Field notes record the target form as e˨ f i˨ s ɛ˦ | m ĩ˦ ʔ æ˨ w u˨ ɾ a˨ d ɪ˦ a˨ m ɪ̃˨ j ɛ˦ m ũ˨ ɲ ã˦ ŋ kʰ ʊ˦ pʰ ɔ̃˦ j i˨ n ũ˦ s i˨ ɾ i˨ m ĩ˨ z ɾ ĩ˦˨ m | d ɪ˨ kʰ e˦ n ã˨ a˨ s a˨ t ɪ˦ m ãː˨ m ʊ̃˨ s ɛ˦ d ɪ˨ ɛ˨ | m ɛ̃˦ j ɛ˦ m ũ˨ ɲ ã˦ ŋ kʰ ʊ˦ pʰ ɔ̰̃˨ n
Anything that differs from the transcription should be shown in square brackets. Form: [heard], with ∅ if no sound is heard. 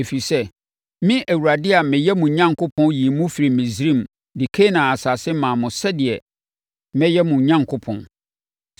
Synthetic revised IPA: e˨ f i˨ s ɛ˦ | m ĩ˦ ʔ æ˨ w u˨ ɾ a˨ d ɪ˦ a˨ m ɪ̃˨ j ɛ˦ m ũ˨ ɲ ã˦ ŋ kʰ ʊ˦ pʰ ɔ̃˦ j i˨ [m] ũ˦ [f] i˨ ɾ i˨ m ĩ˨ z ɾ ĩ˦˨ m | d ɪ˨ kʰ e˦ n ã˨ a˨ s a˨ [s] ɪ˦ m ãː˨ m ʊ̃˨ s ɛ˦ d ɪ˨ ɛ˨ | m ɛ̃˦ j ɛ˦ m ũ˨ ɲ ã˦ ŋ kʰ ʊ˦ pʰ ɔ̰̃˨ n